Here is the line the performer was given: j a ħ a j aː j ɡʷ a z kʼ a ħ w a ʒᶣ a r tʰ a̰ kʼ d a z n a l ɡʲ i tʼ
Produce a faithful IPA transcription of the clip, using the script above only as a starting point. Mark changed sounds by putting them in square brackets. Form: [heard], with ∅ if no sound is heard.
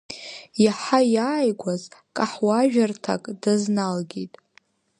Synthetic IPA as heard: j a ħ a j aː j ɡʷ a z kʼ a ħ w a ʒᶣ a r tʰ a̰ kʼ d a z n a l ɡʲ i tʼ